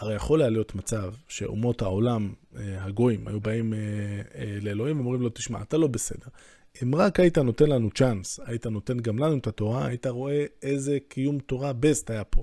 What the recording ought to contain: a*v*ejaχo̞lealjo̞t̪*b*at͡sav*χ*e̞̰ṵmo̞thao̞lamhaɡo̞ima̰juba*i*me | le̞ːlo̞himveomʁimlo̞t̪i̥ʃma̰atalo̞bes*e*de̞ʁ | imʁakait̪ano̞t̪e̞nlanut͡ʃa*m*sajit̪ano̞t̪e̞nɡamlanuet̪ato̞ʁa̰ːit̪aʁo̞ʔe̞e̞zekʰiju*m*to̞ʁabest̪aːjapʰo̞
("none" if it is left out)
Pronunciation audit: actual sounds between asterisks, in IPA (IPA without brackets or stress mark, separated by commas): ʁ, m, ʃ, i, e, n, m